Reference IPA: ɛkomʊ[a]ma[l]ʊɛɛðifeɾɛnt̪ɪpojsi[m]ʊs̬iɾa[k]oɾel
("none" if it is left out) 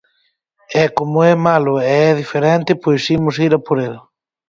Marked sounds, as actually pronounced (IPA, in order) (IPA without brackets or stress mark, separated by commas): ɛ, l, m, p